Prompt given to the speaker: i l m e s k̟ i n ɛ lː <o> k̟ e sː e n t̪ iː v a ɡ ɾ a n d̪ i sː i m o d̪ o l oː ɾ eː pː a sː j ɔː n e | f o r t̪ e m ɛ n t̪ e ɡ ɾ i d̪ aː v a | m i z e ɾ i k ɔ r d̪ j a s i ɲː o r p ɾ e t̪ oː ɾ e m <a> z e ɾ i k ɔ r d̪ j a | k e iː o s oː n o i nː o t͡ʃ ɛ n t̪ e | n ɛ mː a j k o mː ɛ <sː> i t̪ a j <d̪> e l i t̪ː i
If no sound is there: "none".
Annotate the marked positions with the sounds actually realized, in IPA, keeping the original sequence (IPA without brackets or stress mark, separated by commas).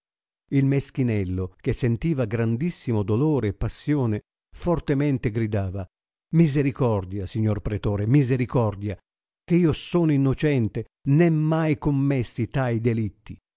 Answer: o, i, sː, d̪